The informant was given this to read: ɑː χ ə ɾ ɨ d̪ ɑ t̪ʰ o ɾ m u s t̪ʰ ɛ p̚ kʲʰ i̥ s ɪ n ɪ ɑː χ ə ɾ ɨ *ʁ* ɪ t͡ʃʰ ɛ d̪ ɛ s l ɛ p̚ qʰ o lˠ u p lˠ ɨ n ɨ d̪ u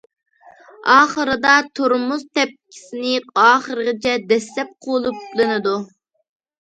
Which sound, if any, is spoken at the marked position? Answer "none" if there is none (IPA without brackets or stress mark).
ʁ